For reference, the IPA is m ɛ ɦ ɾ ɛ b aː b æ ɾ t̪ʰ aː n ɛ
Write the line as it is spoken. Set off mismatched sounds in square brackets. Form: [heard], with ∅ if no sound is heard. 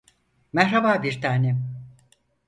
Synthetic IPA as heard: m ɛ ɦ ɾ [a] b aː b [i] ɾ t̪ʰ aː n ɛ